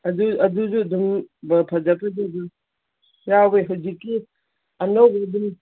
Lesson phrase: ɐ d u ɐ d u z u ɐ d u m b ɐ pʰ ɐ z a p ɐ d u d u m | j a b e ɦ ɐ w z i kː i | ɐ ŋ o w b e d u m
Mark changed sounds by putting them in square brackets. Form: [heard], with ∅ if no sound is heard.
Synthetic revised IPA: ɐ d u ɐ d u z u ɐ d u m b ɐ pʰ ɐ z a p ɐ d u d u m | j a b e ɦ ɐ w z i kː i | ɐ [n] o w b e d u m